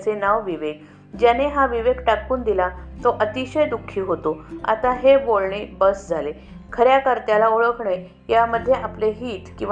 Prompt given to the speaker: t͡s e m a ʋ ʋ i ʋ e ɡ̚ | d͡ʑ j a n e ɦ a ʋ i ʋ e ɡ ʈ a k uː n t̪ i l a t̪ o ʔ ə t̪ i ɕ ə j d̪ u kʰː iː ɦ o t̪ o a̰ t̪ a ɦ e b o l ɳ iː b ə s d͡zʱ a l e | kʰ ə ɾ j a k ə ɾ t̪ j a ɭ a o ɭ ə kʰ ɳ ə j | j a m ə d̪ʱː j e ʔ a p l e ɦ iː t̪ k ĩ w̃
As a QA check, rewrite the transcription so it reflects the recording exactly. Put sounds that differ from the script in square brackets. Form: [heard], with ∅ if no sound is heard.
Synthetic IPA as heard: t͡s e [n] a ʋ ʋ i ʋ e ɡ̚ | d͡ʑ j a n e ɦ a ʋ i ʋ e ɡ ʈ a k uː n [d̪] i l a t̪ o ʔ ə t̪ i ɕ ə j d̪ u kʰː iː ɦ o t̪ o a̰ t̪ a ɦ e b o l ɳ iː b ə s d͡zʱ a l e | kʰ ə ɾ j a k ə ɾ t̪ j a [l] a o ɭ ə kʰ ɳ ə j | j a m ə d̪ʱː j e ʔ a p l e ɦ iː t̪ k ĩ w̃